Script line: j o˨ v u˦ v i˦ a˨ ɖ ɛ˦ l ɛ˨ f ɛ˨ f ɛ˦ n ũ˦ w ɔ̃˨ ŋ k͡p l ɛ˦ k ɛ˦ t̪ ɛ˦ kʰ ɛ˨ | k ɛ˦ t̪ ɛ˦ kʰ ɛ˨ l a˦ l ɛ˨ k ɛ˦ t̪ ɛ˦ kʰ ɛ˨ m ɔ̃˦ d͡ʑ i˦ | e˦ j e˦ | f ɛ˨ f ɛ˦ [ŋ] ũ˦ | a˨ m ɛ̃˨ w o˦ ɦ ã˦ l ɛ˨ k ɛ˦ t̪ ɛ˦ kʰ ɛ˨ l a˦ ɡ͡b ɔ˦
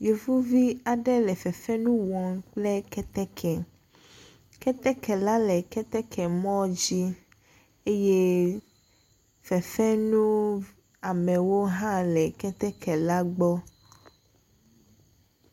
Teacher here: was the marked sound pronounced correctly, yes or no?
no